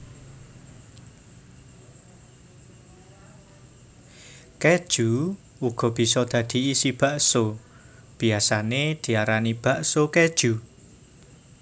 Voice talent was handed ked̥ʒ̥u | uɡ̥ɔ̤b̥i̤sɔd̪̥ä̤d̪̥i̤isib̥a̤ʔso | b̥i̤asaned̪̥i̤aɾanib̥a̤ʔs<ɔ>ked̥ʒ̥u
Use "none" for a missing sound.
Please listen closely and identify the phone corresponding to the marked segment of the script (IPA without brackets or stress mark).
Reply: o